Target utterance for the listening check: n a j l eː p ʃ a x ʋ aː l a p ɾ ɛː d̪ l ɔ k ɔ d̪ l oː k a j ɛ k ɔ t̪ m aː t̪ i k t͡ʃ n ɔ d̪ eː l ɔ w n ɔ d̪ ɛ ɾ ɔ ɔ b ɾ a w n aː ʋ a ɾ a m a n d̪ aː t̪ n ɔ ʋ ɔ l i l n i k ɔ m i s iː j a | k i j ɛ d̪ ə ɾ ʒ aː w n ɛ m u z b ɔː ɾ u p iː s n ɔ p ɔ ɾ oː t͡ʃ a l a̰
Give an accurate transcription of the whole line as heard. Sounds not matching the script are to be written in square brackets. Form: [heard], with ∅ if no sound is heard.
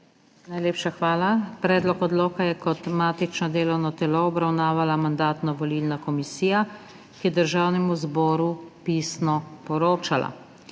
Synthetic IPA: n a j l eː p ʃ a x ʋ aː l a p ɾ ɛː d̪ l ɔ k ɔ d̪ l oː k a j ɛ k ɔ t̪ m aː t̪ i [∅] t͡ʃ n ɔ d̪ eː l ɔ w n ɔ [t̪] ɛ [l] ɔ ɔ b ɾ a w n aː ʋ a [l] a m a n d̪ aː t̪ n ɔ ʋ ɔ l i l n [a] k ɔ m i s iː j a | k i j ɛ d̪ ə ɾ ʒ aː w n ɛ m u z b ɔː ɾ u p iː s n ɔ p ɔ ɾ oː t͡ʃ a l a̰